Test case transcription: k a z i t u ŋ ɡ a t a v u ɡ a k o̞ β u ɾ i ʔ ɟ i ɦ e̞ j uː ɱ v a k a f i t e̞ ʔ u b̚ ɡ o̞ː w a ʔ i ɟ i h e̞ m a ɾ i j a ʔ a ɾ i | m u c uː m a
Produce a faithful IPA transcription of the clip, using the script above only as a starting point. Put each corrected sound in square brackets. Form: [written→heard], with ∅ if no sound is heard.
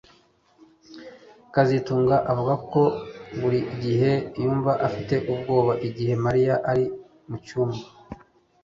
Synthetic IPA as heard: k a z i t [u→uː] ŋ ɡ a [t→ʔ] a v u ɡ a k o̞ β u ɾ i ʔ ɟ i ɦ e̞ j uː ɱ v a [k→ʔ] a f i t e̞ ʔ u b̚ ɡ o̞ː [w→β] a ʔ i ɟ i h e̞ m a ɾ i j a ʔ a ɾ i | m u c uː m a

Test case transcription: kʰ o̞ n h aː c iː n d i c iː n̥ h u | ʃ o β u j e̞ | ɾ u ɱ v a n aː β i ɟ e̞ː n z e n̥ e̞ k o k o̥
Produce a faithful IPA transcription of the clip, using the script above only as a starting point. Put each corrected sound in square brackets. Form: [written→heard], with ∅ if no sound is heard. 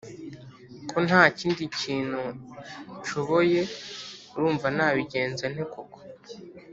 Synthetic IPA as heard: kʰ o̞ n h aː c iː n d i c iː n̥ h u | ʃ o β [u→o] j e̞ | ɾ [u→uː] ɱ v a n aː β i ɟ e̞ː n z e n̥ e̞ k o k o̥

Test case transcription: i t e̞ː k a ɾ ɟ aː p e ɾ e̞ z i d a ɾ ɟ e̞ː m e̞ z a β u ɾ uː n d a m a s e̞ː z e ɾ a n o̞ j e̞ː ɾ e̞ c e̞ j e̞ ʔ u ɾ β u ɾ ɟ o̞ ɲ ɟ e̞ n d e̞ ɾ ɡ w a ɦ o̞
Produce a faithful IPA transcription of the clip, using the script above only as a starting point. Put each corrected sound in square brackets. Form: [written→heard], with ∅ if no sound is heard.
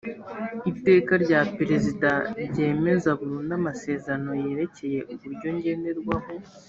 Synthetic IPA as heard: i t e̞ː k a ɾ ɟ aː p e ɾ e̞ z i d a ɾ ɟ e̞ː m e̞ z a β u ɾ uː n d a m a s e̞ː z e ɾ a n o̞ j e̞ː ɾ e̞ c e̞ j e̞ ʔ u [ɾ→∅] β u ɾ ɟ o̞ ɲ ɟ e̞ n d e̞ ɾ ɡ w a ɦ o̞

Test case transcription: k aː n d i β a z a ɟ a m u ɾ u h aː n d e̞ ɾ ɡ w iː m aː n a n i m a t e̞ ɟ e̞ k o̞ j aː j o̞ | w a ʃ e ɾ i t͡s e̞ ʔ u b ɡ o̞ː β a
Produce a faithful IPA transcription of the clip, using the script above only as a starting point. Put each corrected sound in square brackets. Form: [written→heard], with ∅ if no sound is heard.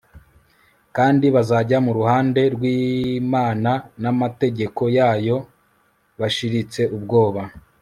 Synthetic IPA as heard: k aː n d i β a z a ɟ a m u ɾ u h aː n d e̞ ɾ ɡ w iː m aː n a n [i→a] m a t e̞ ɟ e̞ k o̞ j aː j o̞ | [w→β] a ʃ [e→i] ɾ i t͡s e̞ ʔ u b ɡ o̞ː β a

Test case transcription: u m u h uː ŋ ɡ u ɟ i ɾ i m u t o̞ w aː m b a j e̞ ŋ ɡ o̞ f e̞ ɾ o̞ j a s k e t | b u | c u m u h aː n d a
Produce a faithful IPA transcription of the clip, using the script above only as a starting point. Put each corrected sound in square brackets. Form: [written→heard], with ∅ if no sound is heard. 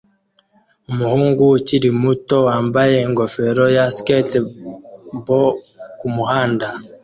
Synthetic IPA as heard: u m u h uː ŋ ɡ u [ɟ→c] i ɾ i m u t o̞ w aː m b a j e̞ ŋ ɡ o̞ f e̞ ɾ o̞ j a s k e t | b [u→o] | [c→k] u m u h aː n d a

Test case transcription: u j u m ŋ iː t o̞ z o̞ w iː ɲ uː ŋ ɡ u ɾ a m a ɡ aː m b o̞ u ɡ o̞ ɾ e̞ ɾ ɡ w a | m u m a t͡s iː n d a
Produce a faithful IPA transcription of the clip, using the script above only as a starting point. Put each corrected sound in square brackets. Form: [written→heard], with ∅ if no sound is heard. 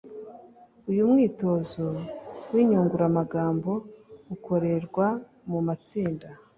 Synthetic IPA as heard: u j u m ŋ iː t o̞ z o̞ w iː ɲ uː ŋ ɡ u ɾ a m a ɡ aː m b o̞ u [ɡ→k] o̞ ɾ e̞ ɾ ɡ w a | m u m a t͡s iː n d a

